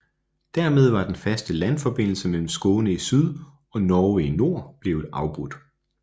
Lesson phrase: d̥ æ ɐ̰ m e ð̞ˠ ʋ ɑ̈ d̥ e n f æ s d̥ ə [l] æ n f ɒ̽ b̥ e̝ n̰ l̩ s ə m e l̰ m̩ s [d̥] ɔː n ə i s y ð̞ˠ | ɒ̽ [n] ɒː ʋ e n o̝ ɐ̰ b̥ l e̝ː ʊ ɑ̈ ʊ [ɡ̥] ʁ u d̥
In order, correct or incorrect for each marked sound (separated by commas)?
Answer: correct, incorrect, correct, incorrect